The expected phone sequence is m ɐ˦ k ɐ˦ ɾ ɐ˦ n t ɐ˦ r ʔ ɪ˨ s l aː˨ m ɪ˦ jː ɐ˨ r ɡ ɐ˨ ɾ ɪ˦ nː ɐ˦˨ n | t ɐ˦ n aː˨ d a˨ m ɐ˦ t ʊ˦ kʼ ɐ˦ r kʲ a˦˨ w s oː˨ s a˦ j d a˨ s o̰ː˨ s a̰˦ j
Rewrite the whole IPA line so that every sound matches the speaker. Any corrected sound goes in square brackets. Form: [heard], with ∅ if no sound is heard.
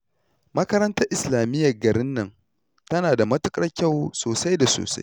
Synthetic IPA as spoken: m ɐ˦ k ɐ˦ ɾ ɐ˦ n t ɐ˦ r ʔ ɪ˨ s l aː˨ m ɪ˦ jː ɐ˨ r ɡ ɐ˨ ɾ ɪ˦ nː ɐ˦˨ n | t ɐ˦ n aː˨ d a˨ m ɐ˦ t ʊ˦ kʼ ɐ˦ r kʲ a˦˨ w s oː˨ s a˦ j d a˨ s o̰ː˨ s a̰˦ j